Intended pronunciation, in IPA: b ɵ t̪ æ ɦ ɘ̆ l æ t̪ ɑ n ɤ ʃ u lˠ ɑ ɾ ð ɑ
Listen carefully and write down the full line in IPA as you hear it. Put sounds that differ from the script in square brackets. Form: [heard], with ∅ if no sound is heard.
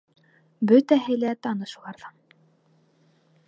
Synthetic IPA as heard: b ɵ t̪ æ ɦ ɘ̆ l æ t̪ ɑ n ɤ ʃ u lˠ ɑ ɾ ð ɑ